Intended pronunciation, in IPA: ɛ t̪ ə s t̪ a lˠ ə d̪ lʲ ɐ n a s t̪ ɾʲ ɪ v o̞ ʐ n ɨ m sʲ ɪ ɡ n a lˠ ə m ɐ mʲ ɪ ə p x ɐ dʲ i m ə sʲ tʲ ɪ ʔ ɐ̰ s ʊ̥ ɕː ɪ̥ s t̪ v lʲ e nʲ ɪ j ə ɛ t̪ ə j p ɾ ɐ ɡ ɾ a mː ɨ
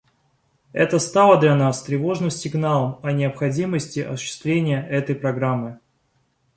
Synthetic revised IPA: ɛ t̪ ə s t̪ a lˠ ə d̪ lʲ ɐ n a s t̪ ɾʲ ɪ v o̞ ʐ n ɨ m sʲ ɪ ɡ n a lˠ ə m ɐ nʲ ɪ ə p x ɐ dʲ i m ə sʲ tʲ ɪ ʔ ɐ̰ s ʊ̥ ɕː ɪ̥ s t̪ v lʲ e nʲ ɪ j ə ɛ t̪ ə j p ɾ ɐ ɡ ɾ a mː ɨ

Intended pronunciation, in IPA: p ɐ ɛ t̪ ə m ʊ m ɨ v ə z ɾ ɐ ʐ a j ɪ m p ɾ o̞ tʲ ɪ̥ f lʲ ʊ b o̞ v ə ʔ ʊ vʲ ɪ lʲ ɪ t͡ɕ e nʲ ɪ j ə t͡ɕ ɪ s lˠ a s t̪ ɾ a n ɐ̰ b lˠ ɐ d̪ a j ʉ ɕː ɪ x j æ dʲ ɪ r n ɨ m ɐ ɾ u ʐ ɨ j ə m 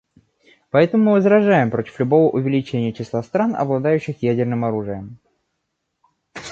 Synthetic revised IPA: p ɐ ɛ t̪ ə m ʊ m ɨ v ə z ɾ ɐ ʐ a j ɪ m p ɾ o̞ tʲ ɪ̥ f lʲ ʊ b o̞ v ə ʔ ʊ vʲ ɪ lʲ ɪ t͡ɕ e nʲ ɪ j ə t͡ɕ ɪ s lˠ a s t̪ ɾ a n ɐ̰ b lˠ ɐ d̪ a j ʉ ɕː ɪ x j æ dʲ ɪ r n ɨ m ɐ ɾ u ʐ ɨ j ə m

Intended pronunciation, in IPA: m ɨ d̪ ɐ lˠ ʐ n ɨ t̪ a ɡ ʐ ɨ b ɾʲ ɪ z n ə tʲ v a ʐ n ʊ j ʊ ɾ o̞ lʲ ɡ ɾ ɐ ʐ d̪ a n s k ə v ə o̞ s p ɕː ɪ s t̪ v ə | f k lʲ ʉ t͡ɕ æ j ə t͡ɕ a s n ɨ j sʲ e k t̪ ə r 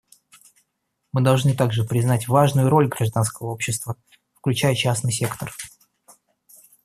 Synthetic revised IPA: m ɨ d̪ ɐ lˠ ʐ n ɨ t̪ a ɡ ʐ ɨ p ɾʲ ɪ z n a tʲ v a ʐ n ʊ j ʊ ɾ o̞ lʲ ɡ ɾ ɐ ʐ d̪ a n s k ə v ə o̞ p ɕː ɪ s t̪ v ə | f k lʲ ʉ t͡ɕ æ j ə t͡ɕ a s n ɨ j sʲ e k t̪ ə r

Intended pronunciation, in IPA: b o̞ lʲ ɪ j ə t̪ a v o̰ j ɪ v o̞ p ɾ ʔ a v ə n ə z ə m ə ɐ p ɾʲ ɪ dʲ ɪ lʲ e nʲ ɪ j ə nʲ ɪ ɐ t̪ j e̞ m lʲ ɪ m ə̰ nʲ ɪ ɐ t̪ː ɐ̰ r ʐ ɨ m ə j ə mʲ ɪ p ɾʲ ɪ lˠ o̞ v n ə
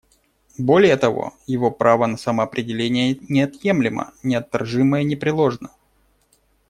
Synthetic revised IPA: b o̞ lʲ ɪ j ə t̪ ɐ v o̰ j ɪ v o̞ p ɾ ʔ a v ə n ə s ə m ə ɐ p ɾʲ ɪ dʲ ɪ lʲ e nʲ ɪ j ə nʲ ɪ ɐ t̪ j e̞ m lʲ ɪ m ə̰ nʲ ɪ ɐ t̪ː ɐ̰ r ʐ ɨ m ə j ə nʲ ɪ p ɾʲ ɪ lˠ o̞ ʐ n ə

